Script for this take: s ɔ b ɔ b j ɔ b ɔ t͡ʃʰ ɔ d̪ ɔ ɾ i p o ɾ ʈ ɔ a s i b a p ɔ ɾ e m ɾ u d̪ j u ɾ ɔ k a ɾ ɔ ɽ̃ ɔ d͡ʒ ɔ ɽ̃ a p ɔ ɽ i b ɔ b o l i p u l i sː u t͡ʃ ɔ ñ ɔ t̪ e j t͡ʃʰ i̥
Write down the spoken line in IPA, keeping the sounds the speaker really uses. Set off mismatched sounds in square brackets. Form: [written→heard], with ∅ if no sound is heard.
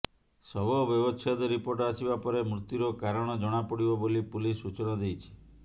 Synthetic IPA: s ɔ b ɔ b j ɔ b ɔ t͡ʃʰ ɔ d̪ ɔ ɾ i p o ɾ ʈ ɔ a s i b a p ɔ ɾ e m ɾ u [d̪→t̪] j u ɾ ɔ k a ɾ ɔ ɽ̃ ɔ d͡ʒ ɔ ɽ̃ a p ɔ ɽ i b ɔ b o l i p u l i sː u t͡ʃ ɔ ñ ɔ [t̪→d̪] e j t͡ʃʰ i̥